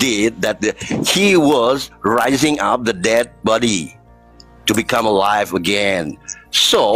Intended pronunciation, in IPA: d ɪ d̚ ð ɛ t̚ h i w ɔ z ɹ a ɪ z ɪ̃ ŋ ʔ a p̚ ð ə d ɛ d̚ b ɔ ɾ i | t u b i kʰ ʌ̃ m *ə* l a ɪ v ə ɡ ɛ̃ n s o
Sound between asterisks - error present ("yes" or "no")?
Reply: no